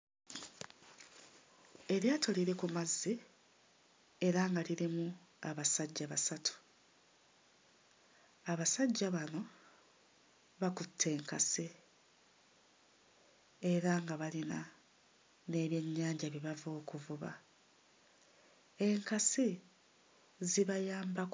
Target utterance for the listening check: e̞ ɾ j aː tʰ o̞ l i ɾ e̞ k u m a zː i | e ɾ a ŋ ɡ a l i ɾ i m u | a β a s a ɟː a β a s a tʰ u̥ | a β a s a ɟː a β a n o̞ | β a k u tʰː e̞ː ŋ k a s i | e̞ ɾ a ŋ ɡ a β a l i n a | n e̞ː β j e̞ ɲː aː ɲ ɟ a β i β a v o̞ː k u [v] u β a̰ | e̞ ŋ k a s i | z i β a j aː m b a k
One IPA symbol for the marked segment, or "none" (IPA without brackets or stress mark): v